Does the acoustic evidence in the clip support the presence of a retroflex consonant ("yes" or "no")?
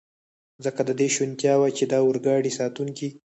yes